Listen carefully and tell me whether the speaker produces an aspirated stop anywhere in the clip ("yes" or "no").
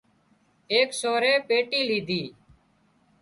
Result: no